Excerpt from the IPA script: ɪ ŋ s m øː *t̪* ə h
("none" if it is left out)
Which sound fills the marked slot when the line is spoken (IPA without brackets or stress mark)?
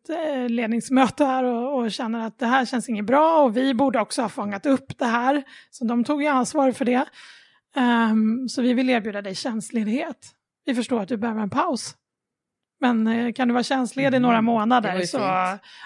t̪